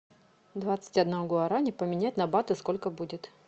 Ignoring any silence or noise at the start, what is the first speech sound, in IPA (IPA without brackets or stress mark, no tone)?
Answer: d̪